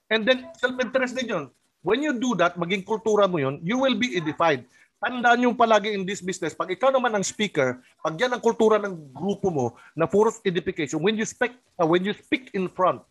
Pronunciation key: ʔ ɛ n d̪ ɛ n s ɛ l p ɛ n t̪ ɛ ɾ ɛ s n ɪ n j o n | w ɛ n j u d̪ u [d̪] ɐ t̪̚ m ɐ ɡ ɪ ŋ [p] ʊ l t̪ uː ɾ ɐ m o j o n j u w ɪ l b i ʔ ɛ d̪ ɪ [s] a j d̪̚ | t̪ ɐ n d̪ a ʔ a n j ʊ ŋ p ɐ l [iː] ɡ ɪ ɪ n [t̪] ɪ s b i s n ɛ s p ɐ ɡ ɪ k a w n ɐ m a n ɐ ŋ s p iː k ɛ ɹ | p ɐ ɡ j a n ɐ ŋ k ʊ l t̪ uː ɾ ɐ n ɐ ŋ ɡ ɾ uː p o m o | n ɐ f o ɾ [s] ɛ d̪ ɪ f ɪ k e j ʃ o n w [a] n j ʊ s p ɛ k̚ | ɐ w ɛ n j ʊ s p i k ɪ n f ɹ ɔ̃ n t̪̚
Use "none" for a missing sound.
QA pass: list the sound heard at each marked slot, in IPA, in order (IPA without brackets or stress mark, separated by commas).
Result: d̪, k, f, aː, d̪, s, ɛ